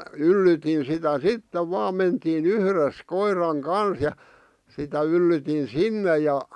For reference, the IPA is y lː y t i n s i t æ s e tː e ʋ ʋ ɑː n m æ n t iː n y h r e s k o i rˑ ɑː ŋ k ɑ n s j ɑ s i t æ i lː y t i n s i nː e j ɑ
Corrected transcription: y lː y t i n s i t æ s i tː e ʋ ʋ ɑː m m e n t iː n y h r e s k o i rˑ ɑ ŋ k ɑ n s j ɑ s i t æ y lː y t i n s i nː e j ɑ